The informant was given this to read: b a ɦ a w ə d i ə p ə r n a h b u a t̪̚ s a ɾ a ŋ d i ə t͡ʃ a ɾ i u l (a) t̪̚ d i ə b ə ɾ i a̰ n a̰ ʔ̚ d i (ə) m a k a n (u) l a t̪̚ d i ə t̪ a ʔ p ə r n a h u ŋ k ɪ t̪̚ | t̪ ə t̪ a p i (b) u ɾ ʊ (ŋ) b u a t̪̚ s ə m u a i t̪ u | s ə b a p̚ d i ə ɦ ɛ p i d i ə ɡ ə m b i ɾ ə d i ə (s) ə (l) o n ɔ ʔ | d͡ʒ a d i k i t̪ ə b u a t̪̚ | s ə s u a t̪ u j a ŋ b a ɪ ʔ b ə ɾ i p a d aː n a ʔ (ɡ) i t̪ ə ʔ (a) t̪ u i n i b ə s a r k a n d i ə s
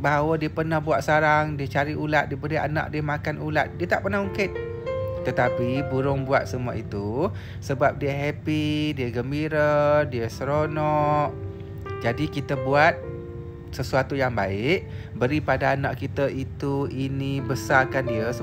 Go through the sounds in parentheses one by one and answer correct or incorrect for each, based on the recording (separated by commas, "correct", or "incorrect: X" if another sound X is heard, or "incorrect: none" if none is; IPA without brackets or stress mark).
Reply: correct, correct, correct, correct, correct, correct, incorrect: ɾ, incorrect: k, incorrect: i